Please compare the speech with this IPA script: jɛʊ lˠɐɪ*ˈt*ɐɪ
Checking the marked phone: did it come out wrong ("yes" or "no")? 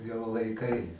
yes